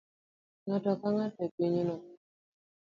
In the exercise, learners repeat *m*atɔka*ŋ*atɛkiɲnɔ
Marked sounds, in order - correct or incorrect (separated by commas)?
incorrect, correct